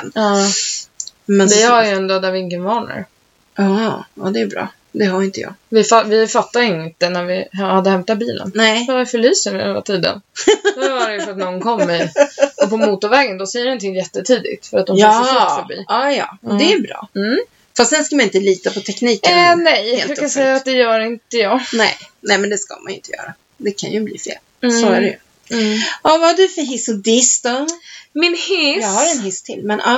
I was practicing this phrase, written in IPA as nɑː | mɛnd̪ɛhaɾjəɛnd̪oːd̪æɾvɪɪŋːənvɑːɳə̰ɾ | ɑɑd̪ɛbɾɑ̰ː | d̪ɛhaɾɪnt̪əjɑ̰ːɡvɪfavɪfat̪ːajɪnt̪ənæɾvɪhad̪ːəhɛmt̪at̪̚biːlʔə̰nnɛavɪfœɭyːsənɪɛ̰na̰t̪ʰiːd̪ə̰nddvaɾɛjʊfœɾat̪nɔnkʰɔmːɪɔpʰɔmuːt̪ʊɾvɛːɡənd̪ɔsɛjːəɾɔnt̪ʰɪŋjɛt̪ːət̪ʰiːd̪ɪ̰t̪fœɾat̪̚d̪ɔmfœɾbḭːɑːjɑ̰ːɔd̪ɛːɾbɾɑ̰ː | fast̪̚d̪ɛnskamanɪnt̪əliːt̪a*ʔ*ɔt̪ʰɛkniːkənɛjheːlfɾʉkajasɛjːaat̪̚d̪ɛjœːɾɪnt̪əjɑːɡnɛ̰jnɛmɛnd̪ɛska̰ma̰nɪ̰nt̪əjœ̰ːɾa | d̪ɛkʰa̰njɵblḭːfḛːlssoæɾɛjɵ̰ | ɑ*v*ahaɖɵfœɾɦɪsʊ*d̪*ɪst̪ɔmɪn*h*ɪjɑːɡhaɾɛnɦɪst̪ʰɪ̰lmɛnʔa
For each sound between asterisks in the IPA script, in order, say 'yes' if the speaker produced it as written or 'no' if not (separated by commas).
no, yes, yes, yes